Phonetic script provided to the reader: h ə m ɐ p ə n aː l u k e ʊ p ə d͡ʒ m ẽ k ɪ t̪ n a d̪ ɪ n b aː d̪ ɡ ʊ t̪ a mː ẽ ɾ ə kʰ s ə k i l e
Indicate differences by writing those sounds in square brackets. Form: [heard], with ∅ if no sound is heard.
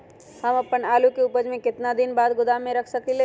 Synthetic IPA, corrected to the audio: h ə m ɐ p ə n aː l u k e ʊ p ə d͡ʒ m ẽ k ɪ t̪ n a d̪ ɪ n b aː d̪ ɡ ʊ [d̪] a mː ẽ ɾ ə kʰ s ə k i l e